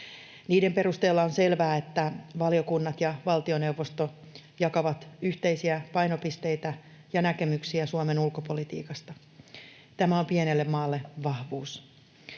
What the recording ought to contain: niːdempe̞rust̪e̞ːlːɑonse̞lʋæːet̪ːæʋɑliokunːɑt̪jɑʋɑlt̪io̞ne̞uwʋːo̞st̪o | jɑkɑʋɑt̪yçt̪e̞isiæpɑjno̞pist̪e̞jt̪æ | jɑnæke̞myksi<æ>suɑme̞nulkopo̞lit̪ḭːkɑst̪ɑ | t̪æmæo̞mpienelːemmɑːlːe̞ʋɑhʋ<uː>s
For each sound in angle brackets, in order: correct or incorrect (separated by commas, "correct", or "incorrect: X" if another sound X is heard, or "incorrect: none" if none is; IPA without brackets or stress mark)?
correct, correct